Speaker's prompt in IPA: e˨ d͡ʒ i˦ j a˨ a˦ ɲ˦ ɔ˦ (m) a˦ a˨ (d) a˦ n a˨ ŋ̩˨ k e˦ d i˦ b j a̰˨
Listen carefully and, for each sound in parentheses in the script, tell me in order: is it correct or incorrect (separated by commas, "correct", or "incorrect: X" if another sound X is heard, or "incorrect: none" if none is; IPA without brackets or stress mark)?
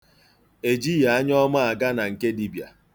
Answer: correct, incorrect: ɡ